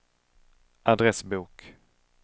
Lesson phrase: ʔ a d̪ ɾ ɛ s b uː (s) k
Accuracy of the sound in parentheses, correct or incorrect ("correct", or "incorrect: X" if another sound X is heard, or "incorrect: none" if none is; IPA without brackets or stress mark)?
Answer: incorrect: none